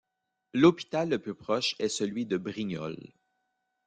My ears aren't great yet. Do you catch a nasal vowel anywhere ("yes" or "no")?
no